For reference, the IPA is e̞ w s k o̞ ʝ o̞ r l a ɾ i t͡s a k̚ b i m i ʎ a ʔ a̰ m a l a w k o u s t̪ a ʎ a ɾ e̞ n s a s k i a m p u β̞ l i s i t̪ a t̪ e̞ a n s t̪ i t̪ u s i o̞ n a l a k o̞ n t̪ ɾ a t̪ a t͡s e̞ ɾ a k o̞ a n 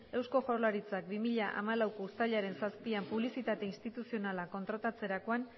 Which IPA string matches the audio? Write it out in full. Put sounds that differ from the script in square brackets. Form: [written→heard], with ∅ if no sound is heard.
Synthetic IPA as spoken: e̞ w s k o̞ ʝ o̞ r l a ɾ i t͡s a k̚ b i m i ʎ a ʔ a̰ m a l a w k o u s t̪ a ʎ a ɾ e̞ n s a s [k→p] i a m p u β̞ l i s i t̪ a t̪ e̞ [a→i] n s t̪ i t̪ u s i o̞ n a l a k o̞ n t̪ ɾ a t̪ a t͡s e̞ ɾ a k o̞ a n